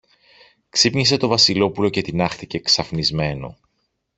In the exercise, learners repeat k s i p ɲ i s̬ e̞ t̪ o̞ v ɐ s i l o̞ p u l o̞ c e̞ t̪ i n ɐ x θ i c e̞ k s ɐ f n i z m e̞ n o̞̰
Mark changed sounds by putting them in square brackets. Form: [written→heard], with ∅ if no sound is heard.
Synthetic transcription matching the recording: k s i p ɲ i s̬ e̞ t̪ o̞ v ɐ s i l o̞ p u l o̞ c e̞ t̪ i n ɐ x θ i c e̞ k s ɐ f n i z m e̞ n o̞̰